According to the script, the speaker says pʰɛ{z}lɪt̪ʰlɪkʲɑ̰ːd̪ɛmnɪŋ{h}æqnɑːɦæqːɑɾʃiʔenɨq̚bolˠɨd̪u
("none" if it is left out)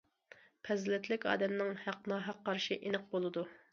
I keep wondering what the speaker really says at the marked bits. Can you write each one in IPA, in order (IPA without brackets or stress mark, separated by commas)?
z, h